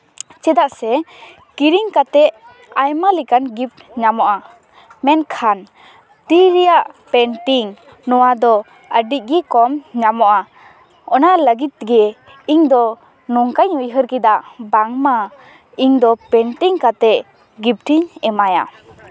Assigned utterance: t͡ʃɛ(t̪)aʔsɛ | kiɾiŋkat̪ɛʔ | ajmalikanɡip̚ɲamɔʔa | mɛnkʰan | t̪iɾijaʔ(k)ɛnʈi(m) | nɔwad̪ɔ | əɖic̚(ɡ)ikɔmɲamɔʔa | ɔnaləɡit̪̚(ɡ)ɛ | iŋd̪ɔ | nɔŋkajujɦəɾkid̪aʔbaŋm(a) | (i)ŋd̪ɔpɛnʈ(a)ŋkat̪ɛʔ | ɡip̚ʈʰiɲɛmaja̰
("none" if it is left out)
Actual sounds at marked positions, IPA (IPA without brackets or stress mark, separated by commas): d̪, p, ŋ, ɡ, ɡ, a, i, i